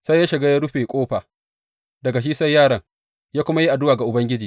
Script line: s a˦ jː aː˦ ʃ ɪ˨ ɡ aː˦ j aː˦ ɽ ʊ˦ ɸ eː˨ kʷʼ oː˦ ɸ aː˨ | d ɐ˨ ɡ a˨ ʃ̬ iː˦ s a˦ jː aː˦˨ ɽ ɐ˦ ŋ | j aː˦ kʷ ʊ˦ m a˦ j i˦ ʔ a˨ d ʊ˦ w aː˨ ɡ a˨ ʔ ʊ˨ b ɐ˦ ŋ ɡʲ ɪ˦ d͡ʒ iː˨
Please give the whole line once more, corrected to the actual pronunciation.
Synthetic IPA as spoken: s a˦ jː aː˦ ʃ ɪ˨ ɡ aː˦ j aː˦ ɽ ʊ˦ ɸ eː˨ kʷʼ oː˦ ɸ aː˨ | d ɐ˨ ɡ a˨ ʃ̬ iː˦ s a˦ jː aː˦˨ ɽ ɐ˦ ŋ | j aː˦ kʷ ʊ˦ m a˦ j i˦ ʔ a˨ d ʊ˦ w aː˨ ɡ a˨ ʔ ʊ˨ b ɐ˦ ŋ ɡʲ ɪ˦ d͡ʒ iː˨